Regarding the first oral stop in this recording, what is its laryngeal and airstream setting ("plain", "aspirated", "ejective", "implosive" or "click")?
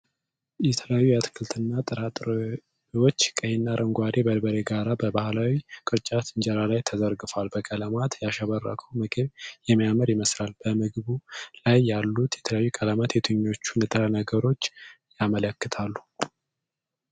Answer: aspirated